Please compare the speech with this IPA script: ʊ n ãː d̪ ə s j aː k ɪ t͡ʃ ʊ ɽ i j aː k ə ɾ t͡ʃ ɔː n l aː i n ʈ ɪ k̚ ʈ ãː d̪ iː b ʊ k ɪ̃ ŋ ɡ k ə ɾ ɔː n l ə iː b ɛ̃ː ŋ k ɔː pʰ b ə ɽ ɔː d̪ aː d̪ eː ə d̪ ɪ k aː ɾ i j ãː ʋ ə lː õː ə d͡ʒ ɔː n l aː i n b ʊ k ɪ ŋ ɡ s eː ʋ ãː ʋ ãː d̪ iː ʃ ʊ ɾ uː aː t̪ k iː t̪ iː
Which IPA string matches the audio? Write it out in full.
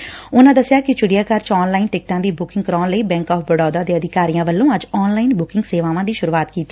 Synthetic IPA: ʊ n ãː d̪ ə s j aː k ɪ t͡ʃ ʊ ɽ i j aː k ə ɾ t͡ʃ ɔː n l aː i n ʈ ɪ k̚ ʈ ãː d̪ iː b ʊ k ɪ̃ ŋ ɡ k ə ɾ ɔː n l ə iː b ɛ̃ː ŋ k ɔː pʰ b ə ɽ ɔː d̪ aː d̪ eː ə d̪ ɪ k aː ɾ i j ãː ʋ ə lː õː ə d͡ʒ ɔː n l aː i n b ʊ k ɪ ŋ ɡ s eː ʋ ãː ʋ ãː d̪ iː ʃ ʊ ɾ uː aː t̪ k iː t̪ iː